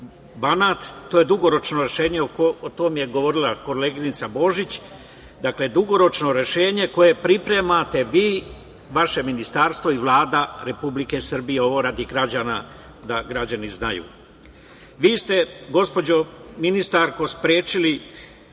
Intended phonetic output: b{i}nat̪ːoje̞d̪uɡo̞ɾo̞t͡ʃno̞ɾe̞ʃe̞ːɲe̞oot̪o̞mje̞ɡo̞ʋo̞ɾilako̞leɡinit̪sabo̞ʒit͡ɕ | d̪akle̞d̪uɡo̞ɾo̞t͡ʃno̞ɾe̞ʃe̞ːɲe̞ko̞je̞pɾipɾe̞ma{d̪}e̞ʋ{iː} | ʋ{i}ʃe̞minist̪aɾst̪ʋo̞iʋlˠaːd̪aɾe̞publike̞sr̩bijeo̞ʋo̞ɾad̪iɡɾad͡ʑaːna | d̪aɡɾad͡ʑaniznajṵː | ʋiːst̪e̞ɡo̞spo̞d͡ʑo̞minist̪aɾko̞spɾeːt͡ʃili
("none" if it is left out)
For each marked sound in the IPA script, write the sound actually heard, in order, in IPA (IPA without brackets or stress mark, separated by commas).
a, t̪, iː, a